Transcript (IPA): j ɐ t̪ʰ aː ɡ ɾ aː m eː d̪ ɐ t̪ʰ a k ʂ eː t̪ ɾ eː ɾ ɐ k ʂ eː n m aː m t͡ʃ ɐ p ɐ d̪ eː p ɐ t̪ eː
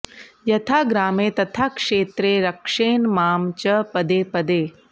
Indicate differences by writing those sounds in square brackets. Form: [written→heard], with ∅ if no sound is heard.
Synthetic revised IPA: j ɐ t̪ʰ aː ɡ ɾ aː m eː [d̪→t̪] ɐ t̪ʰ a k ʂ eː t̪ ɾ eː ɾ ɐ k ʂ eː n m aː m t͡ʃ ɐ p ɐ d̪ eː p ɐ [t̪→d̪] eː

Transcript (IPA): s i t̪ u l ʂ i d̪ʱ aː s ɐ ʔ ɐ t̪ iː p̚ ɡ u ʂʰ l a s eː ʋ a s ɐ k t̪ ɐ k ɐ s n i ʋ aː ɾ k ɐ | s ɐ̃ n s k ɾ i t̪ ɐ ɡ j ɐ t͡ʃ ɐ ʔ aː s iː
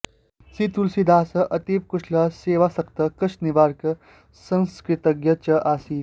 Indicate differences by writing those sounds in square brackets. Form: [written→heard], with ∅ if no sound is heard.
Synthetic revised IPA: s i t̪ u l [ʂ→s] i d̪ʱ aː s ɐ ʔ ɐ t̪ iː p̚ [ɡ→k] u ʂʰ l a s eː ʋ a s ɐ k t̪ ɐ k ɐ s n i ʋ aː ɾ k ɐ | s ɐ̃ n s k ɾ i t̪ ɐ ɡ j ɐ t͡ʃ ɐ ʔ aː s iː

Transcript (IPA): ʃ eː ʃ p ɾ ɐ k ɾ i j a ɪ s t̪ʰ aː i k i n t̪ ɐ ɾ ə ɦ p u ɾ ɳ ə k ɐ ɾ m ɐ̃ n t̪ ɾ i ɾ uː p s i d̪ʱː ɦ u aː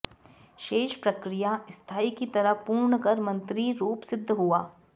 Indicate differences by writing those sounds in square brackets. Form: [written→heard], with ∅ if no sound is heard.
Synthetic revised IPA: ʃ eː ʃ p ɾ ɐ k ɾ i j a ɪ s t̪ʰ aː i k i [n→∅] t̪ ɐ ɾ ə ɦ p [u→uː] ɾ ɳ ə k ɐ ɾ m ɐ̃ n t̪ ɾ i ɾ uː p s [i→ɪ] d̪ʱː ɦ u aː

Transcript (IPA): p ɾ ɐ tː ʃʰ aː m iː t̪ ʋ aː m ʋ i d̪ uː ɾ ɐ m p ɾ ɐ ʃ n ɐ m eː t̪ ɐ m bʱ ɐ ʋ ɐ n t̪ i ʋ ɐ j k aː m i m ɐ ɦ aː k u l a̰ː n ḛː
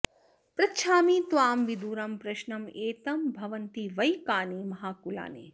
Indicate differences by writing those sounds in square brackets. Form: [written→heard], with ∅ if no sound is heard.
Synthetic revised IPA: p ɾ ɐ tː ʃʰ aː m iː t̪ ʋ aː m ʋ i d̪ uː ɾ ɐ m p ɾ ɐ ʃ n ɐ m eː t̪ ɐ m bʱ ɐ ʋ ɐ n t̪ i ʋ ɐ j k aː [m→n] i m ɐ ɦ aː k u l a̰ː n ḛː

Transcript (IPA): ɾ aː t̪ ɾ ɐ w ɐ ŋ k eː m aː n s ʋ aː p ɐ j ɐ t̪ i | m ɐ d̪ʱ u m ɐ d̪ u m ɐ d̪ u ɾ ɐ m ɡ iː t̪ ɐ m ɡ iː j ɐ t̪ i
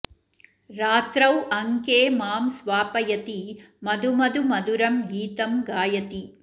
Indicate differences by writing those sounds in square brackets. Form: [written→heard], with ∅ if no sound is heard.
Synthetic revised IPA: ɾ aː t̪ ɾ ɐ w ɐ ŋ k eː m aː [n→m] s ʋ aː p ɐ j ɐ t̪ i | m ɐ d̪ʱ u m ɐ d̪ u m ɐ d̪ u ɾ ɐ m ɡ iː t̪ ɐ m ɡ [iː→aː] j ɐ t̪ i

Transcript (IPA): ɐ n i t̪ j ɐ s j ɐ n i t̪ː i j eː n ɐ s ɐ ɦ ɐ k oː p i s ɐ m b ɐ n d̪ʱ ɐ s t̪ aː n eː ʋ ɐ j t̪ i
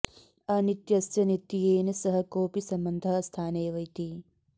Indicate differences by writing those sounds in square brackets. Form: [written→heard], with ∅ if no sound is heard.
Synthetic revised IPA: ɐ n i t̪ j ɐ s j ɐ n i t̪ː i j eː n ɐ s ɐ ɦ ɐ k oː p i s ɐ m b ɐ n d̪ʱ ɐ s [t̪→t̪ʰ] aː n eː ʋ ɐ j t̪ i

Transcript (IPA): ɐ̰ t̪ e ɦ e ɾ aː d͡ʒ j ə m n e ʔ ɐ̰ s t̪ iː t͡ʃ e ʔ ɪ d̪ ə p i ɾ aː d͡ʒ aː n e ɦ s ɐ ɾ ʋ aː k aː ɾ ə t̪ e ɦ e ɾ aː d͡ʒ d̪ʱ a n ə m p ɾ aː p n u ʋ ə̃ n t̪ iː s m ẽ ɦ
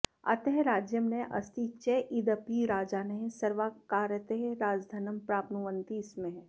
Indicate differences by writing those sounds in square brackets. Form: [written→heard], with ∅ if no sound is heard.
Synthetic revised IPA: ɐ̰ t̪ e ɦ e ɾ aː d͡ʒ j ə m n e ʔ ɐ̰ s t̪ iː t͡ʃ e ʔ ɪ d̪ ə p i ɾ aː d͡ʒ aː n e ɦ s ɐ ɾ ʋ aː k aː ɾ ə t̪ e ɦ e ɾ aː d͡ʒ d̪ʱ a n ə m p ɾ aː p n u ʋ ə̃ n t̪ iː s m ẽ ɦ

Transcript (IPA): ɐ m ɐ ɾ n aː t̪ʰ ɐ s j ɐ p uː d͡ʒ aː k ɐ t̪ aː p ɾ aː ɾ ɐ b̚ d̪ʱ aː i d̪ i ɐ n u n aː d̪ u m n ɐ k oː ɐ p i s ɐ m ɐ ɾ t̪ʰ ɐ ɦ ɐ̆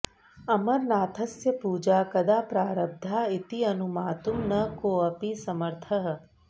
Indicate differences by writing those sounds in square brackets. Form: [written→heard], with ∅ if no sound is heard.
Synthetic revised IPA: ɐ m ɐ ɾ n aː t̪ʰ ɐ s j ɐ p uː d͡ʒ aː k ɐ [t̪→d̪] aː p ɾ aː ɾ ɐ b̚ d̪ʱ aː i [d̪→t̪] i ɐ n u [n→m] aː [d̪→t̪] u m n ɐ k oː ɐ p i s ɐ m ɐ ɾ t̪ʰ ɐ ɦ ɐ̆

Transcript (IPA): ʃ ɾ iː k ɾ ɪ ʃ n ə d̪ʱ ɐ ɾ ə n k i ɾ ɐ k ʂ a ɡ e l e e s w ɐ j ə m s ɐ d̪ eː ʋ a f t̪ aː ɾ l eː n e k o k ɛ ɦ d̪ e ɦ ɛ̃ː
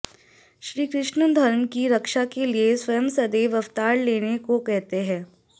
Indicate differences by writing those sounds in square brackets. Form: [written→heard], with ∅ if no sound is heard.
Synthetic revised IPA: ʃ ɾ iː k ɾ ɪ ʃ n ə d̪ʱ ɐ ɾ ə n k i ɾ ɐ k [ʂ→ʃ] a [ɡ→k] e l [e→i] e s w ɐ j ə m s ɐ d̪ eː ʋ [a→ɐ] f t̪ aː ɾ l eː n e k o k ɛ ɦ [d̪→t̪] e ɦ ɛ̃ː

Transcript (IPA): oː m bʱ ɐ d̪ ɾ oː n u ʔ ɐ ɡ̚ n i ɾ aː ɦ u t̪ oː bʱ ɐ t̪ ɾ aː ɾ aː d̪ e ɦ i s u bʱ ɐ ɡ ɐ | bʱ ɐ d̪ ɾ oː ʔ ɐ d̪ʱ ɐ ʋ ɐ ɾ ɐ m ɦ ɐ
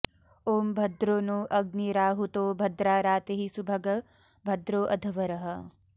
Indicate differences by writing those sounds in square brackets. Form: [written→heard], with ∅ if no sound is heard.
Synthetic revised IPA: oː m bʱ ɐ d̪ ɾ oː n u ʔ ɐ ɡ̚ n i ɾ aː ɦ u t̪ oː bʱ ɐ [t̪→d̪] ɾ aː ɾ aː [d̪→t̪] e ɦ i s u bʱ ɐ ɡ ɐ | bʱ ɐ d̪ ɾ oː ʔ ɐ d̪ʱ ɐ ʋ ɐ ɾ ɐ [m→∅] ɦ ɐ

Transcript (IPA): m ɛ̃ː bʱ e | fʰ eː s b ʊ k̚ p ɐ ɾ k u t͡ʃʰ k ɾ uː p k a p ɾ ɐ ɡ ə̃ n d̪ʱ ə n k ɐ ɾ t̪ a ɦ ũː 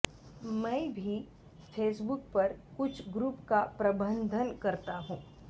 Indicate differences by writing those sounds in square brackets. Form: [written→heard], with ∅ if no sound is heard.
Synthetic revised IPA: m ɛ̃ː bʱ [e→i] | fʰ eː s b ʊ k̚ p ɐ ɾ k [u→ʊ] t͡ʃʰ [k→ɡ] ɾ uː p k a p ɾ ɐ [ɡ→b] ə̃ n d̪ʱ ə n k ɐ ɾ t̪ a ɦ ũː

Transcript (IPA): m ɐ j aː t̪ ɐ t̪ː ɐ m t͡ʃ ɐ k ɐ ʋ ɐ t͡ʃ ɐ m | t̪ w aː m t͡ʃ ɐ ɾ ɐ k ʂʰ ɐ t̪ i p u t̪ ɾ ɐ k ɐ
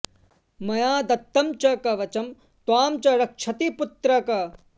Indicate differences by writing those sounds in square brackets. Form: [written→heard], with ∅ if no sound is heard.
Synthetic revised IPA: m ɐ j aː [t̪→d̪] ɐ t̪ː ɐ m t͡ʃ ɐ k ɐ ʋ ɐ t͡ʃ ɐ m | t̪ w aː m t͡ʃ ɐ ɾ ɐ k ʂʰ ɐ t̪ i p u t̪ ɾ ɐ k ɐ

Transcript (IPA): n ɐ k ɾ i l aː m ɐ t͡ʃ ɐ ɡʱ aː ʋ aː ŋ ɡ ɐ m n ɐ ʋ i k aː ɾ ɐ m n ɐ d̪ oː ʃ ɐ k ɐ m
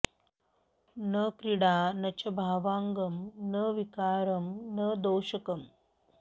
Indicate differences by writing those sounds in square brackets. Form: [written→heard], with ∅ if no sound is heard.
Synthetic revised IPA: n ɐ k ɾ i [l→ɽ] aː [m→n] ɐ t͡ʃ ɐ [ɡʱ→bʱ] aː ʋ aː ŋ ɡ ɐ m n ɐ ʋ i k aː ɾ ɐ m n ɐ d̪ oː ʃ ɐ k ɐ m

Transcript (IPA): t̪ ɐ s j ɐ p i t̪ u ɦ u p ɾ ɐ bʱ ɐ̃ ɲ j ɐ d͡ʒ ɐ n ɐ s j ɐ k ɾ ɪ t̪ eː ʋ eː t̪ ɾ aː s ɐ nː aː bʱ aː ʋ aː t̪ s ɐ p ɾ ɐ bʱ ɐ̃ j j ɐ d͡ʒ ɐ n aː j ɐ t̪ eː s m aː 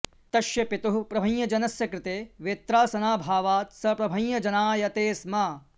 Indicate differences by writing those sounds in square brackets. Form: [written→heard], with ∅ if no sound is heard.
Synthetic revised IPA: t̪ ɐ [s→ʃ] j ɐ p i t̪ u ɦ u p ɾ ɐ bʱ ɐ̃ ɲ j ɐ d͡ʒ ɐ n ɐ s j ɐ k ɾ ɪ t̪ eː ʋ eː t̪ ɾ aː s ɐ [nː→n] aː bʱ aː ʋ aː t̪ s ɐ p ɾ ɐ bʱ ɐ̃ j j ɐ d͡ʒ ɐ n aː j ɐ t̪ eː s m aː

